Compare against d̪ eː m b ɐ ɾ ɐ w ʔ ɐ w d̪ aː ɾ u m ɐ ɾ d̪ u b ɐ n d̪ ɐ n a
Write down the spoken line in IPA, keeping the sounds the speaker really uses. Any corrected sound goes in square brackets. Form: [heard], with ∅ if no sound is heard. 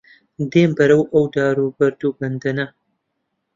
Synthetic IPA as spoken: d̪ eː m b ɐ ɾ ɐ w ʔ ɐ w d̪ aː ɾ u [b] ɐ ɾ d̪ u b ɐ n d̪ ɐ n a